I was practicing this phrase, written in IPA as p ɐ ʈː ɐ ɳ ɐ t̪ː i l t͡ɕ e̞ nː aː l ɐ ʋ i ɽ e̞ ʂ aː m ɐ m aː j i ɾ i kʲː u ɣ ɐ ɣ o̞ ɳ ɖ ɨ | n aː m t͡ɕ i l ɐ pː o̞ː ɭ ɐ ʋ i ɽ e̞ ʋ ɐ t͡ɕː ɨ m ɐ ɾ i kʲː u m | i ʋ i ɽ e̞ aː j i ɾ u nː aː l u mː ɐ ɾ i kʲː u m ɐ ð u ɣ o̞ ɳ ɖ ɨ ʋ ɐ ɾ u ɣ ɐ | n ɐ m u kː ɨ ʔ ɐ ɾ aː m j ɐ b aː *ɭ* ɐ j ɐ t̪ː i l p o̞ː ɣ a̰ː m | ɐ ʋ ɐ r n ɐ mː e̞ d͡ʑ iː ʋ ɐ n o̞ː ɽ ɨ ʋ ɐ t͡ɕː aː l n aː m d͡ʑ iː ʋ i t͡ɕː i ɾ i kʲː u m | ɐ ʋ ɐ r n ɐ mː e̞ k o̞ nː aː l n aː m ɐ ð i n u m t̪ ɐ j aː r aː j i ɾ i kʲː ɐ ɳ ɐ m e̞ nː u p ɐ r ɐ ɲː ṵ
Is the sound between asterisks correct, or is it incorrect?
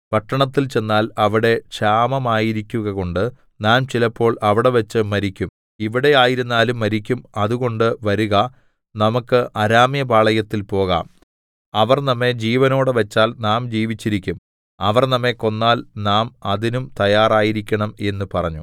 correct